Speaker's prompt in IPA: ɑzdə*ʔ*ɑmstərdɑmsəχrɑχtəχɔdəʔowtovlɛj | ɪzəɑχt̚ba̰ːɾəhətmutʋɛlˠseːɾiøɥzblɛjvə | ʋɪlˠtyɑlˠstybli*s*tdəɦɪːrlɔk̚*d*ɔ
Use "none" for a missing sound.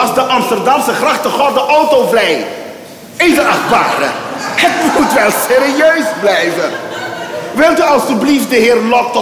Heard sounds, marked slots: ʔ, f, t

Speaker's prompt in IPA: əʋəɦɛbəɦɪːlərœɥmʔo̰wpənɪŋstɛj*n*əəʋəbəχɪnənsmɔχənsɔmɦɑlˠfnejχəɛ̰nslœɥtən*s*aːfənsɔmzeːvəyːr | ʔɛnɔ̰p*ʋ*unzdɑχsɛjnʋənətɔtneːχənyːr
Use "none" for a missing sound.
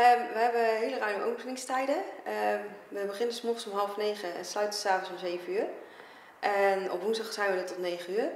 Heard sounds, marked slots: d, s, ʋ

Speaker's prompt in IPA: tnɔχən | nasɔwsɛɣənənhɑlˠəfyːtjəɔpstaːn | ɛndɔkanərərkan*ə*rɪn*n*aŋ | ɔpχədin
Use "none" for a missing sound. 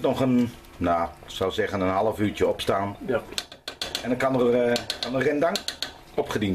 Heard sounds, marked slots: ə, d

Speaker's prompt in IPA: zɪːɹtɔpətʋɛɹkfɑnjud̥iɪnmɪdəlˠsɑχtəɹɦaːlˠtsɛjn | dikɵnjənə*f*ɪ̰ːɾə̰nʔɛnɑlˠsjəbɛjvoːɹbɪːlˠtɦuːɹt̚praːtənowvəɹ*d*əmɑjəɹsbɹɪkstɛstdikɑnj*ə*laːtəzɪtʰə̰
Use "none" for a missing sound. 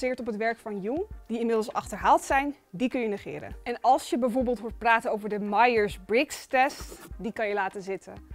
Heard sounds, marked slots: χ, d, ə

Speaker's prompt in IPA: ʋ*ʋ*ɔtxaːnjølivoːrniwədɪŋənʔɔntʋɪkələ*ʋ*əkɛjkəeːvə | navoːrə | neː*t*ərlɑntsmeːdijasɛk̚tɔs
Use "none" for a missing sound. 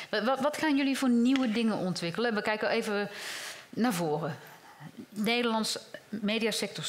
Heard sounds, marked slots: ʋ, ʋ, d

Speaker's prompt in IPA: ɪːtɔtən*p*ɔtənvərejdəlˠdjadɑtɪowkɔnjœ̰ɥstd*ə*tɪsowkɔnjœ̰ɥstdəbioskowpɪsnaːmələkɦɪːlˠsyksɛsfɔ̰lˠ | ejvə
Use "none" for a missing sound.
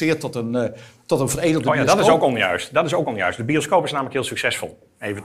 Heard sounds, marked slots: t, ɑ

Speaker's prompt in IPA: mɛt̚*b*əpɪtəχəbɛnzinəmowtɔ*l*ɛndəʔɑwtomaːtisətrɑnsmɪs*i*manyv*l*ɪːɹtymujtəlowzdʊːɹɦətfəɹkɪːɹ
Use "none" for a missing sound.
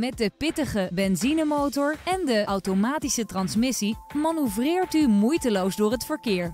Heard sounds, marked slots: d, ɹ, i, r

